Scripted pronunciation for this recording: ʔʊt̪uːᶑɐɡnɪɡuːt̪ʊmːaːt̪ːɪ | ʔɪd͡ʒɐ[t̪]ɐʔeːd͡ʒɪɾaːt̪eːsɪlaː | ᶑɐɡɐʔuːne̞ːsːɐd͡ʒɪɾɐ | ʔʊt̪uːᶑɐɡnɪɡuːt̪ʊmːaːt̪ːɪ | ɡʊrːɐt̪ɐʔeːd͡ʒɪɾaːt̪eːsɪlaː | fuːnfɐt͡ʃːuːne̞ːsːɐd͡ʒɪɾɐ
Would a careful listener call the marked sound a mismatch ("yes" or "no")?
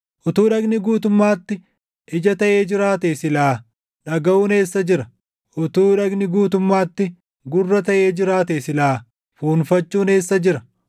no